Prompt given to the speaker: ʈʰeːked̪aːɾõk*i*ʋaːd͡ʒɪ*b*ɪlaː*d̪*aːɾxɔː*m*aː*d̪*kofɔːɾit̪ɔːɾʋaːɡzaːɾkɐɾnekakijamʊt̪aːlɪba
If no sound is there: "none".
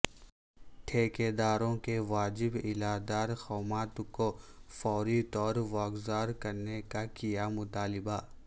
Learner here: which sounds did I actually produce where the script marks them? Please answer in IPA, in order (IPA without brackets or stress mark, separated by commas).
e, b, d̪, m, t̪